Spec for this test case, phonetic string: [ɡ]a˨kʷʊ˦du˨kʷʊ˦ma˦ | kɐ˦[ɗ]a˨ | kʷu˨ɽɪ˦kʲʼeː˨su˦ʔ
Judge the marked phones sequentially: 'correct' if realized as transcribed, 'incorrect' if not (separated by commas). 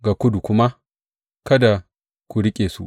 correct, incorrect